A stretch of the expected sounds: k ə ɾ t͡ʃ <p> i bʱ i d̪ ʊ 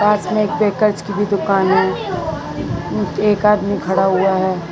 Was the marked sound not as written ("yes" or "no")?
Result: yes